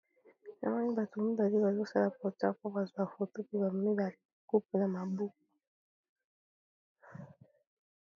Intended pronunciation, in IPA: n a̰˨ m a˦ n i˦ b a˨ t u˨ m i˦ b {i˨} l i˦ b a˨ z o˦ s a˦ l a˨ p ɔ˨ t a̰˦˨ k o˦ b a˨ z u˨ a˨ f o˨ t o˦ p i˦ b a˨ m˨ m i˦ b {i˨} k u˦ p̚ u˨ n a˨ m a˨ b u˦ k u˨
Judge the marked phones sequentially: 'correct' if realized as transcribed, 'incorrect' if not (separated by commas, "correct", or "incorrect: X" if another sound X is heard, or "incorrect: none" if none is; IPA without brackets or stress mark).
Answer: incorrect: a˨, incorrect: a˨